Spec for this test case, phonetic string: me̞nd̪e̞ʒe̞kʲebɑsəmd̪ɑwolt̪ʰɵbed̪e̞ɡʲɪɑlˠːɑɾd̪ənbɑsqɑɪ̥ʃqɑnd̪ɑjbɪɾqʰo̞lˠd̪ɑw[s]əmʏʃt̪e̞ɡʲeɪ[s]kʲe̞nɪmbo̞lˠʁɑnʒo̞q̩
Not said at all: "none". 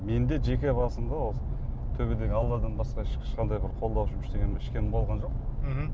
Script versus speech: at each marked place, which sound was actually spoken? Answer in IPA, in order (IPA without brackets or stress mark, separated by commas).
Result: ʃ, ʃ